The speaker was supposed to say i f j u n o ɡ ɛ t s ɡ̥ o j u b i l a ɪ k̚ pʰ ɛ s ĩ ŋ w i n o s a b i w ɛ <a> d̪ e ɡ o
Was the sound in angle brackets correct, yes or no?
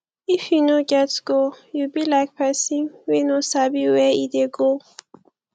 no